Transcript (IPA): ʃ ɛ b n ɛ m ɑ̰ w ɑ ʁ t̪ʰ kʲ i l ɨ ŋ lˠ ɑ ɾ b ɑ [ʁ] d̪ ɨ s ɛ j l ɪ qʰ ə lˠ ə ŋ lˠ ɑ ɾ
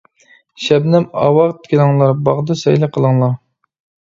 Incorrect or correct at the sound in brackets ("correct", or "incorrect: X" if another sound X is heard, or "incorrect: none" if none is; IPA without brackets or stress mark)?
correct